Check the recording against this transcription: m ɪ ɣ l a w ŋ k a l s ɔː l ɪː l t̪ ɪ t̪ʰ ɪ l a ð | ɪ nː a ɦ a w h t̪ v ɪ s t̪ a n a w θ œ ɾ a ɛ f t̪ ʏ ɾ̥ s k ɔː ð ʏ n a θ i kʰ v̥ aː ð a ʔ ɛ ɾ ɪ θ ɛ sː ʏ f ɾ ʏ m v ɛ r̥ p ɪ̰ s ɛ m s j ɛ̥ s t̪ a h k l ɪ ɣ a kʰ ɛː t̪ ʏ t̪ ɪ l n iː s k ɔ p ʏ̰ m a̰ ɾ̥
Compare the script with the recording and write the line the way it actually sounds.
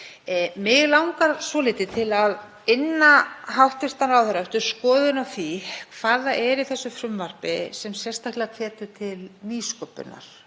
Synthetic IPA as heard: m ɪ ɣ l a w ŋ k a ɾ s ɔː l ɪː t̪ ɪ t̪ʰ ɪ l a ð | ɪ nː a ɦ a w h t̪ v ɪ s t̪ a n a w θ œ ɾ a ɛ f t̪ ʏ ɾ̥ s k ɔː ð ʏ n a θ i kʰ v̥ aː ð a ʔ ɛ ɾ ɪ θ ɛ sː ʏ f ɾ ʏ m v a r̥ p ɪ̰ s ɛ m s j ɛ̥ s t̪ a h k l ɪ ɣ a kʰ ɛː t̪ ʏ t̪ʰ ɪ l n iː s k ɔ p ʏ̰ n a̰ ɾ̥

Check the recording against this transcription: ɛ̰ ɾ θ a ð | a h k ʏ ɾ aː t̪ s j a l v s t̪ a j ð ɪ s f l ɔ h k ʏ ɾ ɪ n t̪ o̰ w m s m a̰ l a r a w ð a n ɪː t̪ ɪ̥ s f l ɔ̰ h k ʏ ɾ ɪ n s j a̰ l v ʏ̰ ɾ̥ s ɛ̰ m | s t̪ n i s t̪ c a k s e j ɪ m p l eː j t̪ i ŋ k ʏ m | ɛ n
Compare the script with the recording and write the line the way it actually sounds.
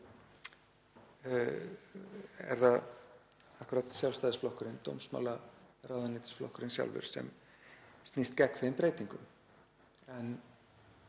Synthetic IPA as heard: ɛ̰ ɾ θ a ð | a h k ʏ ɾ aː t̪ s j a l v s t̪ a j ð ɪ s f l ɔ h k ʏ ɾ ɪ n t̪ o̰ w m s m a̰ l a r a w ð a n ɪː t̪ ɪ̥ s f l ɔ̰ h k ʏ ɾ ɪ n s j a̰ l v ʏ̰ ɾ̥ s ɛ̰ m | s t̪ n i s t̪ c ɛ k θ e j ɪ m p ɾ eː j t̪ i ŋ k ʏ m | ɛ n

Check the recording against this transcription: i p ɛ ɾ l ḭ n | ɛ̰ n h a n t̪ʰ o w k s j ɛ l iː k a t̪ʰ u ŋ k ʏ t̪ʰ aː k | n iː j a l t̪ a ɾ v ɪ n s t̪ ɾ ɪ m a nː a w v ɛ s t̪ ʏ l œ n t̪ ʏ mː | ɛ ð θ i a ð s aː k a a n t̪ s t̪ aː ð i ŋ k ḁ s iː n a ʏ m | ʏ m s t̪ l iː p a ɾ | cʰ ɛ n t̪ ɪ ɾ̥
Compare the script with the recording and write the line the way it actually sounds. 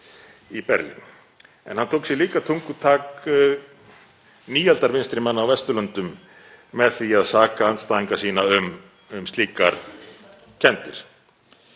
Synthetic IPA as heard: i p ɛ ɾ l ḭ n | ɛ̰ n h a n t̪ʰ o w k s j ɛ l iː k a t̪ʰ u ŋ k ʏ t̪ʰ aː k | n iː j a l t̪ a ɾ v ɪ n s t̪ ɾ ɪ m a nː a w v ɛ s t̪ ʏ l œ n t̪ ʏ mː | ɛ ð θ i a ð s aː k a a n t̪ s t̪ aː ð i ŋ k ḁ s iː n a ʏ m | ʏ m s t̪ l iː k a ɾ | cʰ ɛ n t̪ ɪ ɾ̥

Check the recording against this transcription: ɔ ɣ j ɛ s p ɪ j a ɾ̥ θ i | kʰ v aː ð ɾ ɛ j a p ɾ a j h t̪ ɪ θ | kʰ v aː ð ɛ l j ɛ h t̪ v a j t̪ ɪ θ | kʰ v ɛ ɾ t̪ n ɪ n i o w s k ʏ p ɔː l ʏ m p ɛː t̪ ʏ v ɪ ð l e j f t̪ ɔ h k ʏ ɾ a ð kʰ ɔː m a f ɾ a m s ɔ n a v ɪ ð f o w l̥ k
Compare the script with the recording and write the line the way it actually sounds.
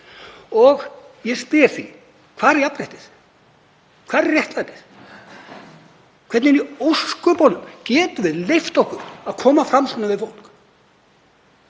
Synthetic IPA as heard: ɔ ɣ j ɛ s p ɪ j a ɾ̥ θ i | kʰ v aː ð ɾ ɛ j a p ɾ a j h t̪ ɪ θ | kʰ v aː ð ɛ r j ɛ h t̪ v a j t̪ ɪ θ | kʰ v ɛ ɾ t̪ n ɪ n i o w s k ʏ p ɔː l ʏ m c ɛː t̪ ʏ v ɪ ð l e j f t̪ ɔ h k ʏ ɾ a ð kʰ ɔː m a f ɾ a m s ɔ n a v ɪ ð f o w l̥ k

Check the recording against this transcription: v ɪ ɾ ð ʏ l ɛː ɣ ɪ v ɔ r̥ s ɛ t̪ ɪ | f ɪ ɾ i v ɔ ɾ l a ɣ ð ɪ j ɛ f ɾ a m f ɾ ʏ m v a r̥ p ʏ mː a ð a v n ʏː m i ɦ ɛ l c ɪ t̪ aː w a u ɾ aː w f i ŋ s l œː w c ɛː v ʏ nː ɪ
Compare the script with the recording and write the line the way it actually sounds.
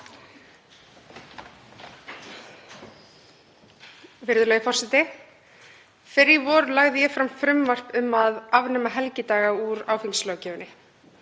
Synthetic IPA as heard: v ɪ ɾ ð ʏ l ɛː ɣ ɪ f ɔ r̥ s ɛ t̪ ɪ | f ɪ ɾ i v ɔ ɾ l a ɣ ð ɪ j ɛ f ɾ a m f ɾ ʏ m v a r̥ p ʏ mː a ð a v n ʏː m a ɦ ɛ l c ɪ t̪ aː ɣ a u ɾ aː w f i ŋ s l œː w c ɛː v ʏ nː ɪ

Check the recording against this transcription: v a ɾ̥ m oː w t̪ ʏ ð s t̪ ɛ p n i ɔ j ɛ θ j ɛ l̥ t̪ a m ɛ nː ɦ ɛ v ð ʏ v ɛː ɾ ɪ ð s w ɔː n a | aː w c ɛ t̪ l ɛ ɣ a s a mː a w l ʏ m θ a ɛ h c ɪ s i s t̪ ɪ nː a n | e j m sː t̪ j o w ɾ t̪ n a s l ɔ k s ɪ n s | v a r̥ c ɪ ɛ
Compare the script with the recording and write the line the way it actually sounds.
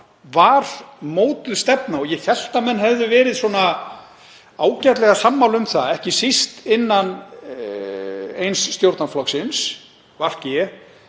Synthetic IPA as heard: v a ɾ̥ m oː w t̪ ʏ ð s t̪ ɛ p n a ɔ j ɛ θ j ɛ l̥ t̪ a m ɛ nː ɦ ɛ v ð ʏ v ɛː ɾ ɪ ð s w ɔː n a | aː w c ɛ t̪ l ɛ ɣ a s a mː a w l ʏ m θ a ɛ h c ɪ s i s t̪ ɪ nː a n | e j n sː t̪ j o w ɾ t̪ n a f l ɔ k s ɪ n s | v a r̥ c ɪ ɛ

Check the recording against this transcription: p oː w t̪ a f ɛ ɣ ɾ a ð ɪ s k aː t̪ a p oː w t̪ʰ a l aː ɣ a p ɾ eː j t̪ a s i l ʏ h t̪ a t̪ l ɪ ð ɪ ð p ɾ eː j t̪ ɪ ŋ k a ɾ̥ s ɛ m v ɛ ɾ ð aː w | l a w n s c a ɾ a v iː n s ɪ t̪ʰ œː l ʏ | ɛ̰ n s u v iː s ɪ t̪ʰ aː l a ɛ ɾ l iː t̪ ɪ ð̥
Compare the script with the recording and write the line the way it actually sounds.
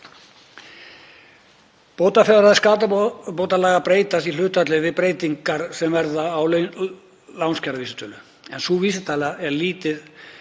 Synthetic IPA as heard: p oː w t̪ a f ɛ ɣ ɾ a ð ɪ s k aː t̪ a p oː w t̪ a l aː ɣ a p ɾ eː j t̪ a s i l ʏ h t̪ a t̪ l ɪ v ɪ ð p ɾ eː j t̪ i ŋ k a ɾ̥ s ɛ m v ɛ ɾ ð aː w | l a w n s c a ɾ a v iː s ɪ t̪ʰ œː l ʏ | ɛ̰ n s u v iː s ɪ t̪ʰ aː l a ɛ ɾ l iː t̪ ɪ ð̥

